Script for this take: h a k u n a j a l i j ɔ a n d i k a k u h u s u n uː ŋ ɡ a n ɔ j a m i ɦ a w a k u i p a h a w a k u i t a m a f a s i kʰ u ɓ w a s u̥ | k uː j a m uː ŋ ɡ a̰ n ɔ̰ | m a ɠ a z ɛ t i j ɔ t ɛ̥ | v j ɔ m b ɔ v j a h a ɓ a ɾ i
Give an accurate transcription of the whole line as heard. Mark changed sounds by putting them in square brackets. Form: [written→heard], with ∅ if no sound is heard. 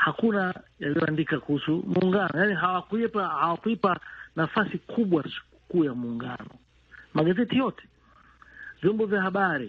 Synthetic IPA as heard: h a k u n a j a l i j ɔ a n d i k a k u h u s u [n→m] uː ŋ ɡ a n ɔ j a [m→n] i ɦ a w a k u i p a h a w a k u i [t→p] a [m→n] a f a s i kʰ u ɓ w a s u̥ | k uː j a m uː ŋ ɡ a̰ n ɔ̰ | m a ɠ a z ɛ t i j ɔ t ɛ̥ | v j ɔ m b ɔ v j a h a ɓ a ɾ i